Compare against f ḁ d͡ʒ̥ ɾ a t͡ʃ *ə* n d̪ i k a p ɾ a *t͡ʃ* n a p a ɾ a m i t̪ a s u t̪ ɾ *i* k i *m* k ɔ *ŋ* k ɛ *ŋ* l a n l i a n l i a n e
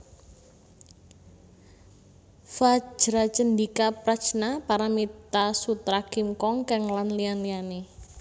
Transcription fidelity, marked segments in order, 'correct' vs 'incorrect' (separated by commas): correct, correct, incorrect, correct, correct, correct